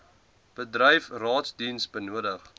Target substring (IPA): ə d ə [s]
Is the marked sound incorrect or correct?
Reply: incorrect